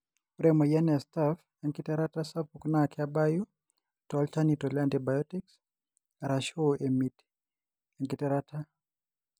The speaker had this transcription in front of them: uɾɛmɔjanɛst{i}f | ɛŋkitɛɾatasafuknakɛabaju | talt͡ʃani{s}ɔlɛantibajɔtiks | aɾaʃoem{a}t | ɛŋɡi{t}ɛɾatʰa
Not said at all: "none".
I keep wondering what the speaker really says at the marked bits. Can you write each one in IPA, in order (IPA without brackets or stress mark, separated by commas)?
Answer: a, t, i, t